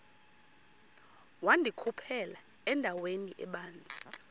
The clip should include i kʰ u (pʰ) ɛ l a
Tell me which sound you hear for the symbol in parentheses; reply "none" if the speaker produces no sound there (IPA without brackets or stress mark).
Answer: pʰ